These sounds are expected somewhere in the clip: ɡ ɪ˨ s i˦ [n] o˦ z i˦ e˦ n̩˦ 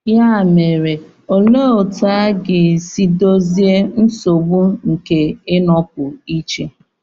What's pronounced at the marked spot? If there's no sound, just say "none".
d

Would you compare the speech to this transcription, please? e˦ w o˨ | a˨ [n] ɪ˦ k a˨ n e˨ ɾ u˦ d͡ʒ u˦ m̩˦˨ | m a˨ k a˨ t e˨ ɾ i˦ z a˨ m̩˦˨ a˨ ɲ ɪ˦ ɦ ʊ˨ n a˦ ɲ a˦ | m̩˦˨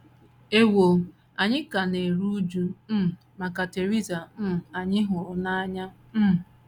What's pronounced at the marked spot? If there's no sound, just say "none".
ɲ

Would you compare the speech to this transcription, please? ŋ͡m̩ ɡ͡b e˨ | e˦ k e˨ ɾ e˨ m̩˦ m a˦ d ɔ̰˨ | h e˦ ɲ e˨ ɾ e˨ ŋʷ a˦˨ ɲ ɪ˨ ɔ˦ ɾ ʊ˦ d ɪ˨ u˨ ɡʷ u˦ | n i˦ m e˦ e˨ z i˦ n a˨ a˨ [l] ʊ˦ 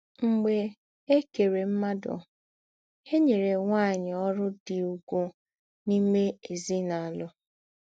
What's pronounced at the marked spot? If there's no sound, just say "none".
l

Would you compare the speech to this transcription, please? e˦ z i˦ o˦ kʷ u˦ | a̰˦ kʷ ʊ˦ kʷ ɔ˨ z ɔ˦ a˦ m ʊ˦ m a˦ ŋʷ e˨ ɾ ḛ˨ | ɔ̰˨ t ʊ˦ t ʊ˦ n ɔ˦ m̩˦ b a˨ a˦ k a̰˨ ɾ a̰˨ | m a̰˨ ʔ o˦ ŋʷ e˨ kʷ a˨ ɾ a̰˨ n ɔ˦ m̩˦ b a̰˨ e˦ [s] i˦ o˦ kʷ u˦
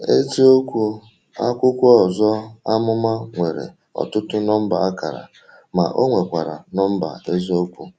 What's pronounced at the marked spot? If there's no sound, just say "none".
z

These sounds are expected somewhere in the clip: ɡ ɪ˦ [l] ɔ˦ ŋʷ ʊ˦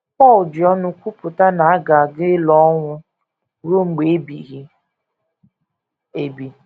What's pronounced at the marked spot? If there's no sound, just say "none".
l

